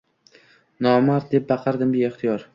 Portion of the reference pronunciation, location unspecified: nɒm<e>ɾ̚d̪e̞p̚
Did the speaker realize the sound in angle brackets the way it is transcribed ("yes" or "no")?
no